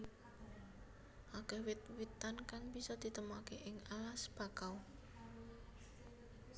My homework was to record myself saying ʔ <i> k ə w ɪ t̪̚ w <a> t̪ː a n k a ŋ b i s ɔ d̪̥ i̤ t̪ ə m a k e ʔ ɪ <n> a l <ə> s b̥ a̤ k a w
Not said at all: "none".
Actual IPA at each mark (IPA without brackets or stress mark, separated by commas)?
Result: a, i, ŋ, a